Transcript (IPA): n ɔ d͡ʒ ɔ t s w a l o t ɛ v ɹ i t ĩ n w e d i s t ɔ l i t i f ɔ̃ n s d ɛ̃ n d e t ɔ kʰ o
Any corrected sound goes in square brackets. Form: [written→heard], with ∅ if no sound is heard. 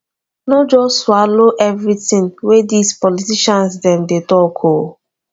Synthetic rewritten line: n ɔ d͡ʒ ɔ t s w a l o [t→ʔ] ɛ v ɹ i t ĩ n w e d i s [t→p] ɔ l i t i [f→ʃ] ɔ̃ n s d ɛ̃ [n→m] d e t ɔ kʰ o